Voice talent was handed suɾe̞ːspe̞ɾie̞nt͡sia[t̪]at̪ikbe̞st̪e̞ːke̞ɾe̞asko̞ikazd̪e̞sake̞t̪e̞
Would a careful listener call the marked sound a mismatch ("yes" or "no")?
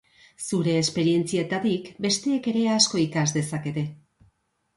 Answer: no